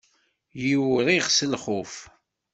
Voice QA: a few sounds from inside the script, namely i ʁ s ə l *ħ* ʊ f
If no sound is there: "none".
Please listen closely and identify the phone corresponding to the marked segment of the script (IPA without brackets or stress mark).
χ